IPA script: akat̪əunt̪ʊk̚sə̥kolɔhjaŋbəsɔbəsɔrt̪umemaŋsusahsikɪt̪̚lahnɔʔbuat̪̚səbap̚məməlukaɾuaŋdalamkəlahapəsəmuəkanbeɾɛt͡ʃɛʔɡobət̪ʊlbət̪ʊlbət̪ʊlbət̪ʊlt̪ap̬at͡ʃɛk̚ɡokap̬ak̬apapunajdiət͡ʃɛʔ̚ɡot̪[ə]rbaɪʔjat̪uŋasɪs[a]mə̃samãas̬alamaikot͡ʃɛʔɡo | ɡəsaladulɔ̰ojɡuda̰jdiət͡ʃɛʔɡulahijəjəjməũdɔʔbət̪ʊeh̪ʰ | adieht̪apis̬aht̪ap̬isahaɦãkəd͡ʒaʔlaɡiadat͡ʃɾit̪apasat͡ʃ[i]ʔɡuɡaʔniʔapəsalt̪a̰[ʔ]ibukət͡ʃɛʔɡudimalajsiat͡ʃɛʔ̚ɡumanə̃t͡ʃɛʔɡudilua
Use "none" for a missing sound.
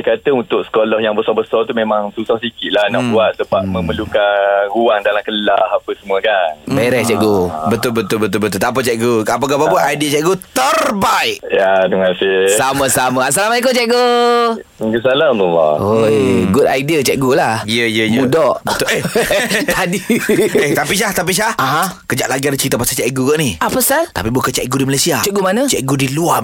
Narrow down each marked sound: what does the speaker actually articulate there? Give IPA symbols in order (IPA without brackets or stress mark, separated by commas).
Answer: ə, a, ɛ, p